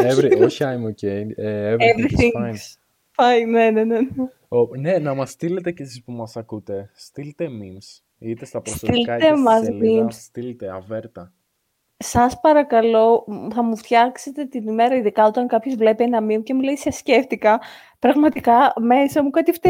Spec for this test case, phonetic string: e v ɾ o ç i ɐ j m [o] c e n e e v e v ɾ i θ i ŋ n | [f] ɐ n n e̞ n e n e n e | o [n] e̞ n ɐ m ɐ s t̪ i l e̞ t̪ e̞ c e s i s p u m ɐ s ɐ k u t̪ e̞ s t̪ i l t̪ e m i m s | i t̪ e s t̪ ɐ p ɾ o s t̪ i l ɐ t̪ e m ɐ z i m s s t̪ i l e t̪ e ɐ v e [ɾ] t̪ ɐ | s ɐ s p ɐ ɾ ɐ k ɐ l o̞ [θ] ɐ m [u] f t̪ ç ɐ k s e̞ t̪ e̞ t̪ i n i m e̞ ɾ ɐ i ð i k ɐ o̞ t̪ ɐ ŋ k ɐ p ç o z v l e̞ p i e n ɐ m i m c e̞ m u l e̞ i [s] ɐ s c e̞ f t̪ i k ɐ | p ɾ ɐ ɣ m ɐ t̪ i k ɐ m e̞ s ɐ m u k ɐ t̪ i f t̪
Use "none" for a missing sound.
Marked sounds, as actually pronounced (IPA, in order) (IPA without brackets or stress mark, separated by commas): o, f, n, ɾ, θ, u, s